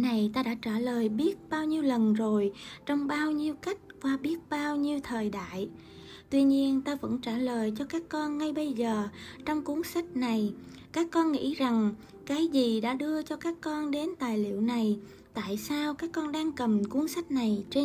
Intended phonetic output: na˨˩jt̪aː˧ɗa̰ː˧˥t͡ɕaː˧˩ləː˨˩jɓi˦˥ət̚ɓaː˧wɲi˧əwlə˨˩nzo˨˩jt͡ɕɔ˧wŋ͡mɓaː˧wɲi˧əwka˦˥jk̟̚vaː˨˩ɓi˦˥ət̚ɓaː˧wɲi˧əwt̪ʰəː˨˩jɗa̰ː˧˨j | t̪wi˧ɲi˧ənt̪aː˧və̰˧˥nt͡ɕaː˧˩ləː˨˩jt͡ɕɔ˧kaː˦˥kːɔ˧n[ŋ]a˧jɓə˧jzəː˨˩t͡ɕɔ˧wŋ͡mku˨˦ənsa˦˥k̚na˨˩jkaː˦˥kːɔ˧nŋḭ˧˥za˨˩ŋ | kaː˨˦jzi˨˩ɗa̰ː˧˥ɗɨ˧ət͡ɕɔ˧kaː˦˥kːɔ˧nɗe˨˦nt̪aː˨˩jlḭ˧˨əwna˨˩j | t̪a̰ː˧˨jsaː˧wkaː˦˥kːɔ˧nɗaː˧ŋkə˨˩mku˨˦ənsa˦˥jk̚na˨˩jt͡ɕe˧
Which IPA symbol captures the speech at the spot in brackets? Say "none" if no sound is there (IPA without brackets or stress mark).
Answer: ŋ